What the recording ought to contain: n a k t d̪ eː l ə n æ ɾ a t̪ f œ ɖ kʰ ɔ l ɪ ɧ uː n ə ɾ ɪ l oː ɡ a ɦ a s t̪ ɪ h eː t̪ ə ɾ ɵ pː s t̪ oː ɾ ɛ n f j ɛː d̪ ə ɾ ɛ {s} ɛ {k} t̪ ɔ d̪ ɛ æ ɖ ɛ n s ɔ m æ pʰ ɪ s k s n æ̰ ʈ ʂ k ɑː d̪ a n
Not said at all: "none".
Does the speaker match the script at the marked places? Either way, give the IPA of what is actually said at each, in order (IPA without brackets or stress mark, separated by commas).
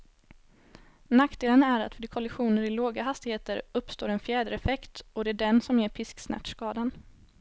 f, k